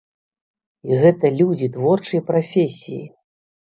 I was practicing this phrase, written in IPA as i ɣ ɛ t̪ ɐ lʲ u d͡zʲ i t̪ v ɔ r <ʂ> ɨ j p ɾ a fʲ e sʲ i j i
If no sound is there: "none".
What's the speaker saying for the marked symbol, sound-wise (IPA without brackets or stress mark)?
t͡ʂ